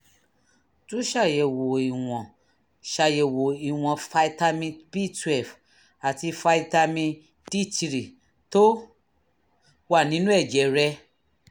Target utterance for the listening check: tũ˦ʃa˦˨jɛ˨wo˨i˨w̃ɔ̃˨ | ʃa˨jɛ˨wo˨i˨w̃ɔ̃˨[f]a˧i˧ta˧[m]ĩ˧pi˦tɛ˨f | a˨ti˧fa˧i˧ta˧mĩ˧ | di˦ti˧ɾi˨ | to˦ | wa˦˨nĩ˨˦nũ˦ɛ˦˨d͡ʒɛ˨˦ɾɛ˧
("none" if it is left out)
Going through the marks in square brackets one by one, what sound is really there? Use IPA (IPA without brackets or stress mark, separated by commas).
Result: f, m